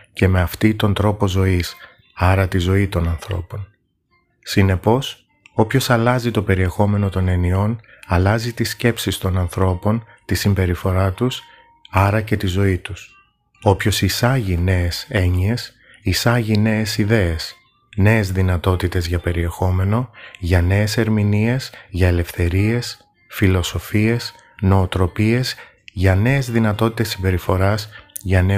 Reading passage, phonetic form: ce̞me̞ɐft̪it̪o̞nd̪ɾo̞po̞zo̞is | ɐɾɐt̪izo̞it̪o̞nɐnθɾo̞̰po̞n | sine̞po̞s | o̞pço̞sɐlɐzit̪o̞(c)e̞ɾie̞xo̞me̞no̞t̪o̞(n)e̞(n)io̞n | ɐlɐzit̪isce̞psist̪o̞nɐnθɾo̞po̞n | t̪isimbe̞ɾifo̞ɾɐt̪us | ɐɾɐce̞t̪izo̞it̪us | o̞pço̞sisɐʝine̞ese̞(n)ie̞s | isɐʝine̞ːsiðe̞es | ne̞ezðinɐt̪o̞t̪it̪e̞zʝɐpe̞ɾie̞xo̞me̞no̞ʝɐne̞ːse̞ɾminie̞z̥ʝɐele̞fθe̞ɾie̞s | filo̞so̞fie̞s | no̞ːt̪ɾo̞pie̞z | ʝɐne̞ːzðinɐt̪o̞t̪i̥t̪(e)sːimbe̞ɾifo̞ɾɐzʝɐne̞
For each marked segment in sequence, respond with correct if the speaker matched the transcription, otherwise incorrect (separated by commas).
incorrect, correct, correct, incorrect, correct